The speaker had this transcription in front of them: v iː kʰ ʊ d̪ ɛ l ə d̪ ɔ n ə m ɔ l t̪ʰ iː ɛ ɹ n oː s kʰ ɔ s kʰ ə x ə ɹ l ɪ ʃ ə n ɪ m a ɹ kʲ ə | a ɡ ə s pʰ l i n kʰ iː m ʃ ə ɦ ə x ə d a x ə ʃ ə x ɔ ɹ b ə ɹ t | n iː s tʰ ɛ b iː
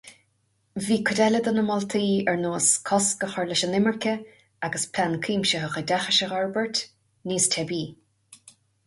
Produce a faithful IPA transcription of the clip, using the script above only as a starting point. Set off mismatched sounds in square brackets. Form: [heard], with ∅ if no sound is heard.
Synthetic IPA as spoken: v iː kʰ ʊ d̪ ɛ l ə d̪ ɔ n ə m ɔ l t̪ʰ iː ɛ ɹ n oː s kʰ ɔ s [k] ə x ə ɹ l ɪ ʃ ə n ɪ m [ə] ɹ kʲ ə | a ɡ ə s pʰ l [a] n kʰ iː m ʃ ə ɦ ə x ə d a x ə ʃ ə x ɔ ɹ b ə ɹ t | n iː s tʰ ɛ b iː